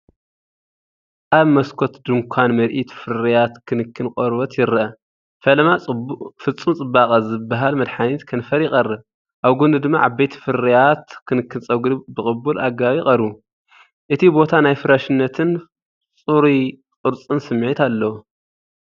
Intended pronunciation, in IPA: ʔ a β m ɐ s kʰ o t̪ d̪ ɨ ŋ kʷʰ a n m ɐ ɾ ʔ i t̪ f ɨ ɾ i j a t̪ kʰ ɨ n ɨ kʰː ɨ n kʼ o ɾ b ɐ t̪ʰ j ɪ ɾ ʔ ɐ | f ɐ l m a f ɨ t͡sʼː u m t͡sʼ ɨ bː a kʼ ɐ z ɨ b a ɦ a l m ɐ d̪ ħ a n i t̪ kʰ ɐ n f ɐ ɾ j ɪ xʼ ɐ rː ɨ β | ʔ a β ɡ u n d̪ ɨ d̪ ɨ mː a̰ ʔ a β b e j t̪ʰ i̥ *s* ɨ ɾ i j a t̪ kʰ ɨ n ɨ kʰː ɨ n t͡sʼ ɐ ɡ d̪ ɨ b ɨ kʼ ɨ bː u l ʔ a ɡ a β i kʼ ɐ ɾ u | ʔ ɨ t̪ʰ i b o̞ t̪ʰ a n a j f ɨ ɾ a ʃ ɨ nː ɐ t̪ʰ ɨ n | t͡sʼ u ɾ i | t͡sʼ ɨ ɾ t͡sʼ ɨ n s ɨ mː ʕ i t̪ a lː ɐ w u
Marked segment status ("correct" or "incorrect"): incorrect